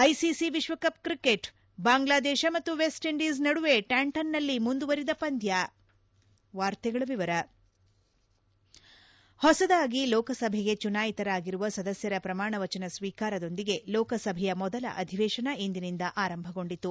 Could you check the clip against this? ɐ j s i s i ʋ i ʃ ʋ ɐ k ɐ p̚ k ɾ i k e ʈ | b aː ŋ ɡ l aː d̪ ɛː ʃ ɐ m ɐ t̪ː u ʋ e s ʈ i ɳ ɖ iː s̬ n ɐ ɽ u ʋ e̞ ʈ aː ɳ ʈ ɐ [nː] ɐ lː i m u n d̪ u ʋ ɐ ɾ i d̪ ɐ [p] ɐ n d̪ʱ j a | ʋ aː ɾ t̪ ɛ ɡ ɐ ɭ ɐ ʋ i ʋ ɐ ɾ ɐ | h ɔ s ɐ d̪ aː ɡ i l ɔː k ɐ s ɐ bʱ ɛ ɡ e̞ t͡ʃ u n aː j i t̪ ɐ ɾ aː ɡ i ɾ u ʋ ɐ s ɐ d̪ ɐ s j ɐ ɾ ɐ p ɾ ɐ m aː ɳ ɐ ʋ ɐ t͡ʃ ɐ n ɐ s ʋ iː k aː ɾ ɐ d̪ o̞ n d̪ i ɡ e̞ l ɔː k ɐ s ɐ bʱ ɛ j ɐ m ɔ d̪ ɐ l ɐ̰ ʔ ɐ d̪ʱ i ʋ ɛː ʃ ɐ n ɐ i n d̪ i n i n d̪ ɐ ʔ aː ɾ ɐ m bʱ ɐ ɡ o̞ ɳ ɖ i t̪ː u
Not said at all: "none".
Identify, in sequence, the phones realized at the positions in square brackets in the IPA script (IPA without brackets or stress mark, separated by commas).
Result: nː, p